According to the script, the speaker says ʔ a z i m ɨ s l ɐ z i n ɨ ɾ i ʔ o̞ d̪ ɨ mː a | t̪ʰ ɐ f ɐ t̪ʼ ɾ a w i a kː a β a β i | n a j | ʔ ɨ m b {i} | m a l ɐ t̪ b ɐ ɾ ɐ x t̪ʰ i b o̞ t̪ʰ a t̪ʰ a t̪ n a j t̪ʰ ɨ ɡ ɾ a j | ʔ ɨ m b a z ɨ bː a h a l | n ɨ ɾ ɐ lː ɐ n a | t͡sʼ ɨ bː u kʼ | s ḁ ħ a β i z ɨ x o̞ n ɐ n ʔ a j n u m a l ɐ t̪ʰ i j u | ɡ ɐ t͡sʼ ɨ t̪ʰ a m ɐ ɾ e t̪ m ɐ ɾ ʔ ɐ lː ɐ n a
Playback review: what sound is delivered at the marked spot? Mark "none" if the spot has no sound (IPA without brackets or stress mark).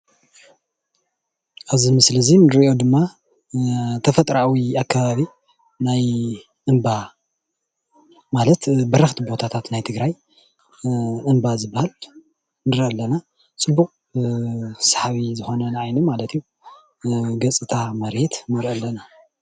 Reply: a